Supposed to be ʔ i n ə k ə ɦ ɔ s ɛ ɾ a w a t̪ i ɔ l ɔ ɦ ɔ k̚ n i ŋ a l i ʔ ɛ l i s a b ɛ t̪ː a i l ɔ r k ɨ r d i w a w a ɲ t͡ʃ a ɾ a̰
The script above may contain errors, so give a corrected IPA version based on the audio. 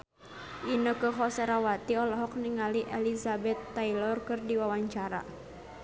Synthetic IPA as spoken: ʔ i n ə k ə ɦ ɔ s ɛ ɾ a w a t̪ i ɔ l ɔ ɦ ɔ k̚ n i ŋ a l i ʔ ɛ l i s a b ɛ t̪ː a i l ɔ r k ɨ r d i w a w a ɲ t͡ʃ a ɾ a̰